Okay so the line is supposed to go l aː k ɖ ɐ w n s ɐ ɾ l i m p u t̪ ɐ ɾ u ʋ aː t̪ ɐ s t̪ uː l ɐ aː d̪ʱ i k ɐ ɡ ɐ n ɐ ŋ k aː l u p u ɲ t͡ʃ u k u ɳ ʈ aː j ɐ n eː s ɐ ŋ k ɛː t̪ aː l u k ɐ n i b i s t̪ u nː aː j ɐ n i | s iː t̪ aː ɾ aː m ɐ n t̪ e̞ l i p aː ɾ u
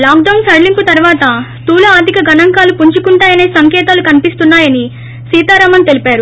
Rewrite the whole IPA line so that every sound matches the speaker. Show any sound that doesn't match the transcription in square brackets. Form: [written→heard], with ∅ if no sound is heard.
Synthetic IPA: l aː k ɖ ɐ w n s ɐ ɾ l i m p u t̪ ɐ ɾ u ʋ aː t̪ ɐ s t̪ uː l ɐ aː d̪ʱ i k ɐ ɡ ɐ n ɐ ŋ k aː l u p u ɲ t͡ʃ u k u ɳ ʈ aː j ɐ n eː s ɐ ŋ k ɛː t̪ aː l u k ɐ n i [b→p] i s t̪ u nː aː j ɐ n i | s iː t̪ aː ɾ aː m ɐ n t̪ e̞ l i p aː ɾ u

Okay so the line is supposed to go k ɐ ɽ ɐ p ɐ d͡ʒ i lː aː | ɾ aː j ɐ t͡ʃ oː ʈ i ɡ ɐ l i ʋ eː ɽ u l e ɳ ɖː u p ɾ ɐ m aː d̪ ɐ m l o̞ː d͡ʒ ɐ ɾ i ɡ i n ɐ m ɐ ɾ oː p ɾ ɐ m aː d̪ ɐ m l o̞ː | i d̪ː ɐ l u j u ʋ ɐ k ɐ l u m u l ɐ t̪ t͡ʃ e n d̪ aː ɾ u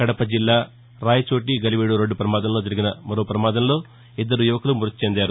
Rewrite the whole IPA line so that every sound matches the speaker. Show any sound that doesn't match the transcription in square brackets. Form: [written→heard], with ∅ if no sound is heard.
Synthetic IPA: k ɐ ɽ ɐ p ɐ d͡ʒ i lː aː | ɾ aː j ɐ t͡ʃ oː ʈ i ɡ ɐ l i ʋ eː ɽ u [l→ɾ] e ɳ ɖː u p ɾ ɐ m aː d̪ ɐ m l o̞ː d͡ʒ ɐ ɾ i ɡ i n ɐ m ɐ ɾ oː p ɾ ɐ m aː d̪ ɐ m l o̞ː | i d̪ː ɐ [l→ɾ] u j u ʋ ɐ k ɐ l u m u [l→ɾ] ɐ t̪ t͡ʃ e n d̪ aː ɾ u

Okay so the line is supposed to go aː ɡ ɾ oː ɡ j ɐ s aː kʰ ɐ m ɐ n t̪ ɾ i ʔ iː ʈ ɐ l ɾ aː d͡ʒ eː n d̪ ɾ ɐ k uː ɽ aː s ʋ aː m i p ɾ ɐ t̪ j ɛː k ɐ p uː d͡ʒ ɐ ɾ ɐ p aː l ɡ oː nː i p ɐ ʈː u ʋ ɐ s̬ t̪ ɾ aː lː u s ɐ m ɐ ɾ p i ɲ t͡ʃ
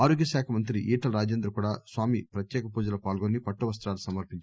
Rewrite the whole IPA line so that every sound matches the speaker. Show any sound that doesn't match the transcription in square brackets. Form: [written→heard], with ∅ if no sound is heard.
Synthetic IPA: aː [ɡ→∅] ɾ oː ɡ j ɐ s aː kʰ ɐ m ɐ n t̪ ɾ i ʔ iː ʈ ɐ l ɾ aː d͡ʒ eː n d̪ ɾ ɐ k uː ɽ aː s ʋ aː m i p ɾ ɐ t̪ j ɛː k ɐ p uː d͡ʒ ɐ [ɾ→l] ɐ p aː l ɡ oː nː i p ɐ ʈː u ʋ ɐ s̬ t̪ ɾ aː [lː→l] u s ɐ m ɐ ɾ p i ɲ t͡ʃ

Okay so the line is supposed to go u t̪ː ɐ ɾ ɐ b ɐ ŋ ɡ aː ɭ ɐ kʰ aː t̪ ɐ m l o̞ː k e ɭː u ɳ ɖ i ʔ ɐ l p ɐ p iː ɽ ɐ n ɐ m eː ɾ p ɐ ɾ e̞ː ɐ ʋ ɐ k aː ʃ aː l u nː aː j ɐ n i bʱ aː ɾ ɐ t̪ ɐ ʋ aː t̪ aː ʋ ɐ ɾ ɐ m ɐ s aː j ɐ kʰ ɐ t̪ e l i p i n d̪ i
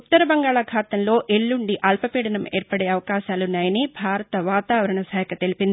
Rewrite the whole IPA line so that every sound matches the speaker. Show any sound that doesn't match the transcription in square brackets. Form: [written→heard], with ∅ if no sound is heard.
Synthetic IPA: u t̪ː ɐ ɾ ɐ b ɐ ŋ ɡ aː ɭ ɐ kʰ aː t̪ ɐ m l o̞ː [k→ʔ] e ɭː u ɳ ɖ i ʔ ɐ l p ɐ p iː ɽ ɐ n ɐ m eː ɾ p ɐ [ɾ→ɽ] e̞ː ɐ ʋ ɐ k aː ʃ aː l u nː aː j ɐ n i bʱ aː ɾ ɐ t̪ ɐ ʋ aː t̪ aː ʋ ɐ ɾ ɐ [m→ɳ] ɐ s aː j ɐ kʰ ɐ t̪ e l i p i n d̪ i

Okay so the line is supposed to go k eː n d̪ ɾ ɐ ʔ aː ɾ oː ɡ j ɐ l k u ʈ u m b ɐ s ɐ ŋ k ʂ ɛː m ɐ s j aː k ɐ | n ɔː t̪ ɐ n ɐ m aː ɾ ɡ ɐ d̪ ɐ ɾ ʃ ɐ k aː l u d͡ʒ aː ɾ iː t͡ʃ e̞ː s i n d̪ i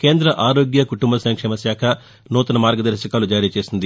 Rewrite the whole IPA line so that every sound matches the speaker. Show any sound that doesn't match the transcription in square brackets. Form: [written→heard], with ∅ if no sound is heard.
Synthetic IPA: k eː n d̪ ɾ ɐ ʔ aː ɾ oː ɡ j ɐ [l→∅] k u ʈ u m b ɐ s ɐ ŋ k ʂ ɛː m ɐ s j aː [k→kʰ] ɐ | n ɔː t̪ ɐ n ɐ m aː ɾ ɡ ɐ d̪ ɐ ɾ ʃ ɐ k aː l u d͡ʒ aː ɾ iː t͡ʃ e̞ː s i n d̪ i

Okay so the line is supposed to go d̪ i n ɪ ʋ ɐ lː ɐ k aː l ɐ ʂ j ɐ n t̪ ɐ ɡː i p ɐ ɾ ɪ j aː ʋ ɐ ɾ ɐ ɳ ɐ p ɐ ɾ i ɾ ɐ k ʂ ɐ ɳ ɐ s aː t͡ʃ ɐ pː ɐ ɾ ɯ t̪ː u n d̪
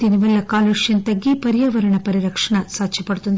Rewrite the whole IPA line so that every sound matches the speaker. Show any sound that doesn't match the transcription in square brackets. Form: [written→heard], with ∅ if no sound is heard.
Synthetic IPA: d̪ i n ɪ ʋ ɐ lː ɐ k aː l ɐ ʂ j ɐ n t̪ ɐ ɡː i p ɐ ɾ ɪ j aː ʋ ɐ ɾ ɐ ɳ ɐ p ɐ ɾ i ɾ ɐ k ʂ ɐ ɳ ɐ s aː t͡ʃ ɐ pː ɐ [ɾ→ɽ] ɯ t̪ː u n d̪

